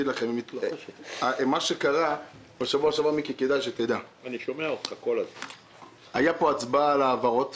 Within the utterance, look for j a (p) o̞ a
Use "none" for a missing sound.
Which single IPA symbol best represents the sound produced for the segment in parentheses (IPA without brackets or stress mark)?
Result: p